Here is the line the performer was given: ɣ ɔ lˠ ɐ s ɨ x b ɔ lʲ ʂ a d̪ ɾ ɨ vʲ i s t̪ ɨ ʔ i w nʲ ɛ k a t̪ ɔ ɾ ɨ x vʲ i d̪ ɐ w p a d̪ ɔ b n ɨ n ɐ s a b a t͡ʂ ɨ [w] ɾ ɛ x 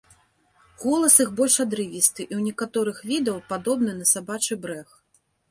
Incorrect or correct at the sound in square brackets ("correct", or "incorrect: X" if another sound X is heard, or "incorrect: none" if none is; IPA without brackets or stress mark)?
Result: incorrect: b